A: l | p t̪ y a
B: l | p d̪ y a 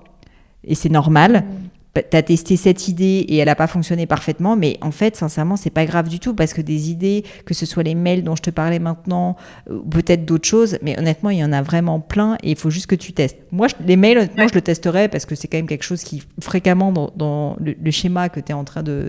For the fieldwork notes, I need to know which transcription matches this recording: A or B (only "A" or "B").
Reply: A